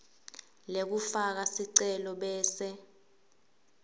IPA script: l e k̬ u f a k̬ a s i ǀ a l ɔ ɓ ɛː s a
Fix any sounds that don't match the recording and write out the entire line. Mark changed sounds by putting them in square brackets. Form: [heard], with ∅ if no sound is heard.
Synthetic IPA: l e k̬ u f a k̬ a s i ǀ [ɛ] l ɔ ɓ ɛː s [ɛ]